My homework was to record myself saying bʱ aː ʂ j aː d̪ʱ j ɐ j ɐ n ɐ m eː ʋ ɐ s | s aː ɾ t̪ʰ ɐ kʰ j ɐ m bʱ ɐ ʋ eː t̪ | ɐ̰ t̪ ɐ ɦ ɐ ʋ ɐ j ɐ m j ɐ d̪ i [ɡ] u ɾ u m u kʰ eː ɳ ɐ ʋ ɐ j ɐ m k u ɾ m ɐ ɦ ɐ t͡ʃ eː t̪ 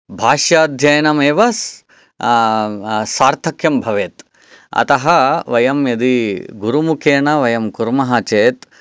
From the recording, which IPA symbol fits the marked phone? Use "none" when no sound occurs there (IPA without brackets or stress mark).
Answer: ɡ